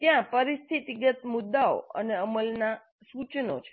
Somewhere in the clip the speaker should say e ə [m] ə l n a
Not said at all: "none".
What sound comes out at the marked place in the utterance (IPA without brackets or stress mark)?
m